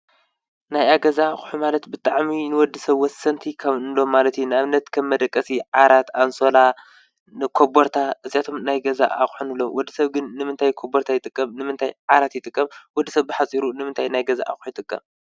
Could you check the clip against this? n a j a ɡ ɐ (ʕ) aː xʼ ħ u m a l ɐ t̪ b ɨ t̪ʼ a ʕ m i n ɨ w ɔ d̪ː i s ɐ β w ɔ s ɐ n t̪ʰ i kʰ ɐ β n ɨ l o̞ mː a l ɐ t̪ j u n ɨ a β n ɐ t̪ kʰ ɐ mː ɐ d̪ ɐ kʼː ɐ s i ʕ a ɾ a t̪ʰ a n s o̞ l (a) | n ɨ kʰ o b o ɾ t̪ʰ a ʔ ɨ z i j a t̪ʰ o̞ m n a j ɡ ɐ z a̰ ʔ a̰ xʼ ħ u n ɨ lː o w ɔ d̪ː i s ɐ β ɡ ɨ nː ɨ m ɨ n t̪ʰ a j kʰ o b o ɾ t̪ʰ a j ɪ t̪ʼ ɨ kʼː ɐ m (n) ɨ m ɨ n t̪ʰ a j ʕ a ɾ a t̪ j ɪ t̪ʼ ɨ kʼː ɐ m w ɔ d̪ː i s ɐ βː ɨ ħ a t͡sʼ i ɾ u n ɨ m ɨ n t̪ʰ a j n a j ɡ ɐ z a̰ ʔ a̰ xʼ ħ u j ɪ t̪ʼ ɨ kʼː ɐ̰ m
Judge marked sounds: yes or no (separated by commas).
no, yes, yes